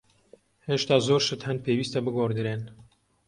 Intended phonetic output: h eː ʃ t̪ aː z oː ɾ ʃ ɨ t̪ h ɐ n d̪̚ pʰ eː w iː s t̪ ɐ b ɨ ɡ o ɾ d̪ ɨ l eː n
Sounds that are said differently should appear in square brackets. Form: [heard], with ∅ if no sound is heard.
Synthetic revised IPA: h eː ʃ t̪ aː z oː ɾ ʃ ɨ t̪ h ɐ n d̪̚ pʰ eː w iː s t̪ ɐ b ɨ ɡ o ɾ d̪ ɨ [ɾ] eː n